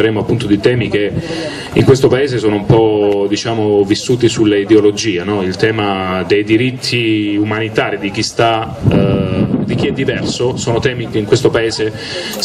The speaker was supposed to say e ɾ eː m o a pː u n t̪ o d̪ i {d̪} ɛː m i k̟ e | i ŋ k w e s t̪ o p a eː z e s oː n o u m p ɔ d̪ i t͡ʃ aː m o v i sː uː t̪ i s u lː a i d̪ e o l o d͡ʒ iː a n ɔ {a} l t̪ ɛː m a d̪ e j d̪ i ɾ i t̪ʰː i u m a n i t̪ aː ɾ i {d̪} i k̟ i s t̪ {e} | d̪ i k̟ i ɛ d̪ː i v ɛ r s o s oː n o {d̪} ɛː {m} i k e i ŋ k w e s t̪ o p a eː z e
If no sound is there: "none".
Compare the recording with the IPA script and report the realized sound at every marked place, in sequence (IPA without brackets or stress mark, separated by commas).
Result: t̪, i, d̪, a, t̪, m